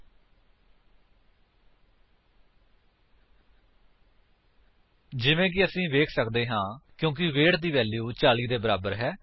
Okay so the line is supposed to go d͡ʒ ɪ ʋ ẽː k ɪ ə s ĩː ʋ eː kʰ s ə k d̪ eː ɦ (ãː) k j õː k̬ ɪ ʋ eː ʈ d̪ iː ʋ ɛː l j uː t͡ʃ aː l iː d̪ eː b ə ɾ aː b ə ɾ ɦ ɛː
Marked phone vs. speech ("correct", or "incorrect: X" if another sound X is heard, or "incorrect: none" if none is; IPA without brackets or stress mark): correct